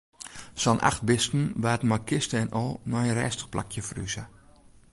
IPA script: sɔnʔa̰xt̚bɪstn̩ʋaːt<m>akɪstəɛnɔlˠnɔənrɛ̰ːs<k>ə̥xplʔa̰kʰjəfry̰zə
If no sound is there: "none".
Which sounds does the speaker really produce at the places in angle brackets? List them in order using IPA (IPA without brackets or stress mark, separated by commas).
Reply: m, t